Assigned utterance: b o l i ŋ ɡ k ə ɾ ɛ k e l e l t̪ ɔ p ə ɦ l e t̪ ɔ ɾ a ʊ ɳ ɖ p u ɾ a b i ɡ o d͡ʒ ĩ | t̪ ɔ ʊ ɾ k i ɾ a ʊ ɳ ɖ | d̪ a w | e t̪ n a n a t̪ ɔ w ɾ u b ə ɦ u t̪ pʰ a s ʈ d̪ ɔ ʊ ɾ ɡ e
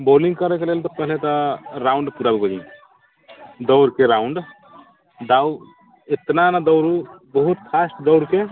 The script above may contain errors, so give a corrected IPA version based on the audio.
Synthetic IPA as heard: b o l i ŋ ɡ k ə ɾ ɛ k e l e l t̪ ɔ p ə ɦ l e t̪ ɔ ɾ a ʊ ɳ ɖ p u ɾ a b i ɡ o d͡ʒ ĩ | d̪ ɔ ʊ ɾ k e ɾ a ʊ ɳ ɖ | d̪ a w | e t̪ n a n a d̪ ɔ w ɾ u b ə ɦ u t̪ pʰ a s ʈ d̪ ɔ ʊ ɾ k e